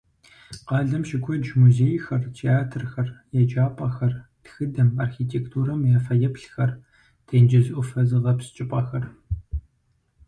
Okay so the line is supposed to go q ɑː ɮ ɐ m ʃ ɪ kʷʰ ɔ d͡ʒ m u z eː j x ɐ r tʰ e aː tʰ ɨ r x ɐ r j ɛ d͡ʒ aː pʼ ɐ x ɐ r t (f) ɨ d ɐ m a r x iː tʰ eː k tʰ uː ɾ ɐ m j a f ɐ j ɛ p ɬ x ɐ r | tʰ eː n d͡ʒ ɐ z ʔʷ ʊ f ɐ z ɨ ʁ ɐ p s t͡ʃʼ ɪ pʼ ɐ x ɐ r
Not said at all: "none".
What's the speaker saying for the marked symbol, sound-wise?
x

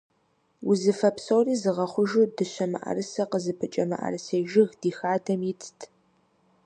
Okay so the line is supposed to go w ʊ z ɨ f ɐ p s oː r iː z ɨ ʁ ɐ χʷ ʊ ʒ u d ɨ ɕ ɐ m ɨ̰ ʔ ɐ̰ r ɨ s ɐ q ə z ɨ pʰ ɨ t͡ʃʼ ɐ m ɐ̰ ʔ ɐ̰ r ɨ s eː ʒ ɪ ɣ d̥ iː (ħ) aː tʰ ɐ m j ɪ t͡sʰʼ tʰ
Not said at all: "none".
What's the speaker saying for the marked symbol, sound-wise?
x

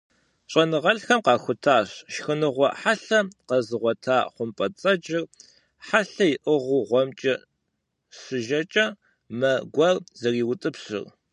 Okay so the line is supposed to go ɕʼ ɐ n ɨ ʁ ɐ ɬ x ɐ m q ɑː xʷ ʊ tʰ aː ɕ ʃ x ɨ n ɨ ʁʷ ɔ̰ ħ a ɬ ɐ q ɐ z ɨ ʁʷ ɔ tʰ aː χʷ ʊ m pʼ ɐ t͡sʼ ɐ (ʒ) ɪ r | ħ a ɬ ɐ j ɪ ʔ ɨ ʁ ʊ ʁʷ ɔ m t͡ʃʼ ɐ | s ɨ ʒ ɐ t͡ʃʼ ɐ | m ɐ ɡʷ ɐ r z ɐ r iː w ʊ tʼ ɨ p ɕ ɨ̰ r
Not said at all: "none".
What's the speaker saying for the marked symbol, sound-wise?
d͡ʒ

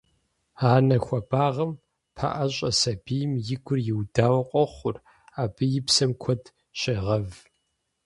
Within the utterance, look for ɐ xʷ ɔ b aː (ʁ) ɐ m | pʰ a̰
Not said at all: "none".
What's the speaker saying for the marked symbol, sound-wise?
ʁ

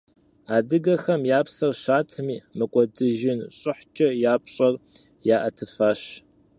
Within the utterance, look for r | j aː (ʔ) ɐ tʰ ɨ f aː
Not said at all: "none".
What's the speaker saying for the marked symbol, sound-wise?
ʔ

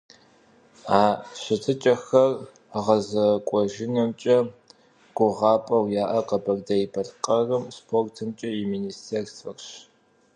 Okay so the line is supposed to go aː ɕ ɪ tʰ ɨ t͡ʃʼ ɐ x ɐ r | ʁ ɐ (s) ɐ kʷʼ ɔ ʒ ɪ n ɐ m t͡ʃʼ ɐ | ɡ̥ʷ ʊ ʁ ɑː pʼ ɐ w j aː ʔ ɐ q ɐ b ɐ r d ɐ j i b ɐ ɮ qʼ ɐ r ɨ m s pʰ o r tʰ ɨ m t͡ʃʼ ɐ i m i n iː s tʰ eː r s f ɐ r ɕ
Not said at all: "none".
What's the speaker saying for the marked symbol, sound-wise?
z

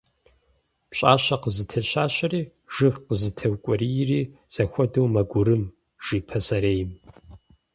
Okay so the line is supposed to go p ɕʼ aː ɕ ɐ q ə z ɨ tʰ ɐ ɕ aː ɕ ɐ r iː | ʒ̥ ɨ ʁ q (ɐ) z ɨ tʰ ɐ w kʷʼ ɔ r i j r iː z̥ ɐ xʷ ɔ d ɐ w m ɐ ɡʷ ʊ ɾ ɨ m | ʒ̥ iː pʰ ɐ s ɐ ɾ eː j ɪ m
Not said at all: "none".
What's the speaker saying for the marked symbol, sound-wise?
ə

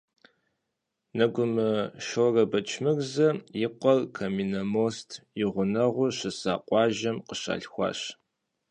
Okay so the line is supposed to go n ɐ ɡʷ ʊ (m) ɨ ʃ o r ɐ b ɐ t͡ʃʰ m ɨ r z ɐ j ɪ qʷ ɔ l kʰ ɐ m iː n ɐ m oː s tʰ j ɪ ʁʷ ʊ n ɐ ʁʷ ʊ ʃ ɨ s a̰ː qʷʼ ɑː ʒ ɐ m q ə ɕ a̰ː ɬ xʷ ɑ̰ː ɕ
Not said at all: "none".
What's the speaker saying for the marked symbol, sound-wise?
m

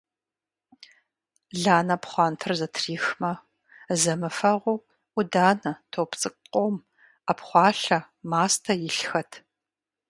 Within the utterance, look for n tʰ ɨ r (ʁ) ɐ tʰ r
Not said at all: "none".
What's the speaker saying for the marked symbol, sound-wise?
z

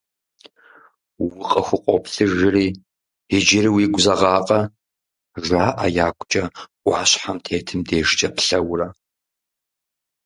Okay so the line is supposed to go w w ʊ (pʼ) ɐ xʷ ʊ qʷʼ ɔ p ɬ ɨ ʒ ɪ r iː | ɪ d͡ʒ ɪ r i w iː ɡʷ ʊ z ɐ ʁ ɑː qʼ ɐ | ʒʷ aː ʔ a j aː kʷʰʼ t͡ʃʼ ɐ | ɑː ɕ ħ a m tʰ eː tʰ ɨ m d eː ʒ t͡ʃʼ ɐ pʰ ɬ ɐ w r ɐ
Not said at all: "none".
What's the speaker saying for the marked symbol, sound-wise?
qʼ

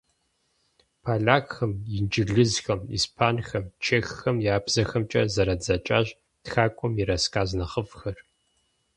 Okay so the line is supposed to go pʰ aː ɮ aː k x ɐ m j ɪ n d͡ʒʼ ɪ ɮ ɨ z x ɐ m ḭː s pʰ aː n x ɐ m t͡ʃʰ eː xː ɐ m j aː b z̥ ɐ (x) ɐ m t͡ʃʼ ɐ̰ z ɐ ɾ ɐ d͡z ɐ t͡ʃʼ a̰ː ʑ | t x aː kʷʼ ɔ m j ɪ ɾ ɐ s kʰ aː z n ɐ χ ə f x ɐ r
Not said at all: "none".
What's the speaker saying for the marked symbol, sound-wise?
x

